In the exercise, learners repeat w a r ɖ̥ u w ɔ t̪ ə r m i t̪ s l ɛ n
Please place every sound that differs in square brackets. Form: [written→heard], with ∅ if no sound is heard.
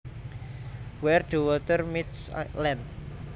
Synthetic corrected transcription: w [a→ɛ] r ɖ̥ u w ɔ t̪ ə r m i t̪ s l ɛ n